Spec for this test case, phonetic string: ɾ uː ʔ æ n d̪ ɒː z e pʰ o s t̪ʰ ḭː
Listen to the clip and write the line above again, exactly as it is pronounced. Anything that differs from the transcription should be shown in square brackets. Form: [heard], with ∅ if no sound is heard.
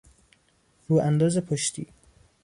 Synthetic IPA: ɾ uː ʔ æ n d̪ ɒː z e pʰ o [ʃ] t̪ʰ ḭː